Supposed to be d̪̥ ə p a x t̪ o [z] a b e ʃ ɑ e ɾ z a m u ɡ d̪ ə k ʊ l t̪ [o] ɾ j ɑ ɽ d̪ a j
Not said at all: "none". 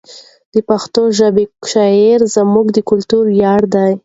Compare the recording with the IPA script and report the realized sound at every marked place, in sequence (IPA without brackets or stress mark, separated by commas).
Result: ʒ, u